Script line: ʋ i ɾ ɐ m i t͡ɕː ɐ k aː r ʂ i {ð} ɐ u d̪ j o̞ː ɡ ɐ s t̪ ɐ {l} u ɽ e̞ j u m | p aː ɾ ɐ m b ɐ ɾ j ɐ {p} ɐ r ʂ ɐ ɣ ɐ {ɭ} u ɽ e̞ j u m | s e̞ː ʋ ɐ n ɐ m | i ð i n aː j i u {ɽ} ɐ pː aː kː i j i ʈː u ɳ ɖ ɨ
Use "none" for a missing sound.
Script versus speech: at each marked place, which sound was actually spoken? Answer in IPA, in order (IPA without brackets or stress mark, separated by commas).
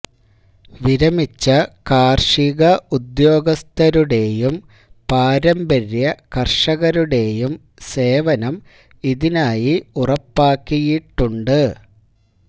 ɣ, ɾ, k, ɾ, r